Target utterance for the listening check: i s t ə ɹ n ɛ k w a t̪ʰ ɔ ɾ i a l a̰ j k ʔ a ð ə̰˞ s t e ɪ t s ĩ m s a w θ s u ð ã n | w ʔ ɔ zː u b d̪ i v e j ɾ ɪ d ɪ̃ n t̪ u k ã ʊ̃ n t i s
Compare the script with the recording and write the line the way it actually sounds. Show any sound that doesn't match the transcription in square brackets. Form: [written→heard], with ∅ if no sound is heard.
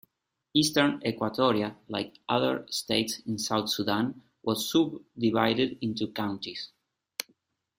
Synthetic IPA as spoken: i s t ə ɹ n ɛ k w a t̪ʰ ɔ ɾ i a l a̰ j k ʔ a ð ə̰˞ s t e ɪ t s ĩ [m→n] s a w θ s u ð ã n | w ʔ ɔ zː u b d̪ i v [e→a] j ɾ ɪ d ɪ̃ n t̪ u k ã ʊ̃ n t i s